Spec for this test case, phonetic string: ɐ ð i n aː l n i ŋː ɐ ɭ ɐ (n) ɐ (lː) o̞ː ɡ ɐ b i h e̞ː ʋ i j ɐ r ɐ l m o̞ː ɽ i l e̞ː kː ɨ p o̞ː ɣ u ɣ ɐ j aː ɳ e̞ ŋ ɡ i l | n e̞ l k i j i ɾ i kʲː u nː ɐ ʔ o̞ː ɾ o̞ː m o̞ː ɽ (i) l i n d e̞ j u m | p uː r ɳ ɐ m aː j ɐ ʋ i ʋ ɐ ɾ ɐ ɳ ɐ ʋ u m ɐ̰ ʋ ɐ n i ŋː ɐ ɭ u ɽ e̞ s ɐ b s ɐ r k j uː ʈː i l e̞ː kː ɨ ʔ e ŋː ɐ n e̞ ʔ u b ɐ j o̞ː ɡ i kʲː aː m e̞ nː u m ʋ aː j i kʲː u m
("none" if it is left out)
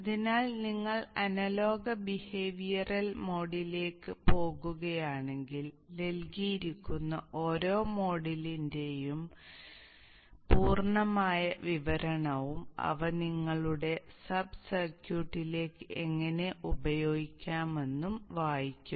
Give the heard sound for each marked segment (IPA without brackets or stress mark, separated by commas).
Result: n, l, i